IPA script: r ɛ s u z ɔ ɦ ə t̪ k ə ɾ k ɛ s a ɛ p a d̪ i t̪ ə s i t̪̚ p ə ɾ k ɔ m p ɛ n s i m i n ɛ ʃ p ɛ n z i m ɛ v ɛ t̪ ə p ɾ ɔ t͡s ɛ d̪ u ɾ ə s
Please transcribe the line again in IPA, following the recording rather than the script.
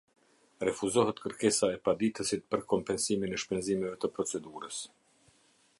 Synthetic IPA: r ɛ f u z ɔ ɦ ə t̪ k ə ɾ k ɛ s a ɛ p a d̪ i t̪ ə s i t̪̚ p ə ɾ k ɔ m p ɛ n s i m i n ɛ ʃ p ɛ n z i m ɛ v ɛ t̪ ə p ɾ ɔ t͡s ɛ d̪ u ɾ ə s